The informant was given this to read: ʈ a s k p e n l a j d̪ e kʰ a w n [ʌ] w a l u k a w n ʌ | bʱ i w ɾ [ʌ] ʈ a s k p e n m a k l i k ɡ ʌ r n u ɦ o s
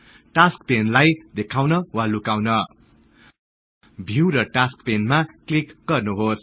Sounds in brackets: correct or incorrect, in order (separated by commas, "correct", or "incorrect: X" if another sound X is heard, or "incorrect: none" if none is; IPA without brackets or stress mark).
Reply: correct, correct